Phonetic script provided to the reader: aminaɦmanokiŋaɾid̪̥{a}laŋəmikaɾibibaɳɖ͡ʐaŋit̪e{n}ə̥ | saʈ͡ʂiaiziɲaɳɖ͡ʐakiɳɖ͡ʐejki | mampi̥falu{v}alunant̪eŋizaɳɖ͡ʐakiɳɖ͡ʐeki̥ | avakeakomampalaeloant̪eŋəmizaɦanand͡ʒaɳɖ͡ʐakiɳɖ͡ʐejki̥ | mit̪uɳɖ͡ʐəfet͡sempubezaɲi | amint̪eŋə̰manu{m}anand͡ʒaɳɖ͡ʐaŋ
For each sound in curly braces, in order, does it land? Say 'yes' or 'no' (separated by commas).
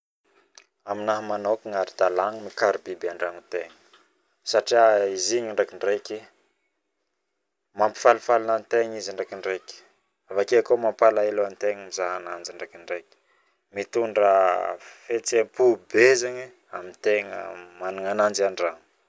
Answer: yes, no, no, no